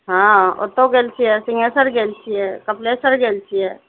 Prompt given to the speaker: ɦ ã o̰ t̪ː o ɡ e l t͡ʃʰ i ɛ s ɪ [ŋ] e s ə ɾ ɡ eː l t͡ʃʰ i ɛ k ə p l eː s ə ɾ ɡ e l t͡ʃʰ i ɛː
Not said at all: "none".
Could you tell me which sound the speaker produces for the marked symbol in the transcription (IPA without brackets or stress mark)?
ŋ